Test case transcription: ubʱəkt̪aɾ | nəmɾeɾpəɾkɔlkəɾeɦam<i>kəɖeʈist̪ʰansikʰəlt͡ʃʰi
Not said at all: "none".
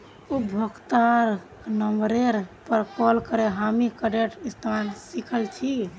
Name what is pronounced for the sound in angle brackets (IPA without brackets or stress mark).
i